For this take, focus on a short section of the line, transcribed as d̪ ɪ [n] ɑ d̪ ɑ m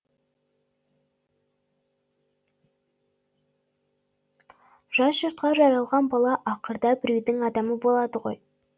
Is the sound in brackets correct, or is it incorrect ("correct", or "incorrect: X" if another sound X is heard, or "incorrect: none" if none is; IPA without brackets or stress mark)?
incorrect: ŋ